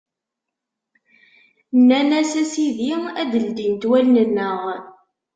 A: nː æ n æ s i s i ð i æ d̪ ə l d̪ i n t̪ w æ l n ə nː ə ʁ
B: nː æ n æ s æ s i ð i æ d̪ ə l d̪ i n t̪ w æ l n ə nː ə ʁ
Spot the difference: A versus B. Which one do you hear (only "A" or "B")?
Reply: B